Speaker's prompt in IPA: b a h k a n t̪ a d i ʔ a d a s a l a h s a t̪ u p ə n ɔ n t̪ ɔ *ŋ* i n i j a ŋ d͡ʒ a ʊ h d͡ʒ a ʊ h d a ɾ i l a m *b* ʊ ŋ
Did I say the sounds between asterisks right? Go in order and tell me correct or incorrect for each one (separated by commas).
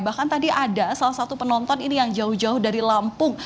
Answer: incorrect, incorrect